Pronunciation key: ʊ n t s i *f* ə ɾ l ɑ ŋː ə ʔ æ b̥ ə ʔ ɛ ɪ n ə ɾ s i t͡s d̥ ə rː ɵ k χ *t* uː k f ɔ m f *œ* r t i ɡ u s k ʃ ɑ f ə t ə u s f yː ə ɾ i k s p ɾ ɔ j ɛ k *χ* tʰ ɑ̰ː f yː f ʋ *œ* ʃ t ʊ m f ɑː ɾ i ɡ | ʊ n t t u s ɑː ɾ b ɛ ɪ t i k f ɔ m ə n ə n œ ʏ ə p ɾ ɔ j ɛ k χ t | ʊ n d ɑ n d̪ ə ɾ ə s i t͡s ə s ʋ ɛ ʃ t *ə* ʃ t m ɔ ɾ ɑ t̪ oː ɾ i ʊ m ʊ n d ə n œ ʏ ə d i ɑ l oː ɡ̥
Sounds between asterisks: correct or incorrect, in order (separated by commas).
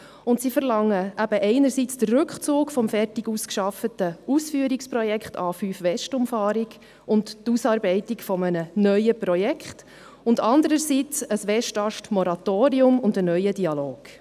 correct, incorrect, incorrect, correct, incorrect, incorrect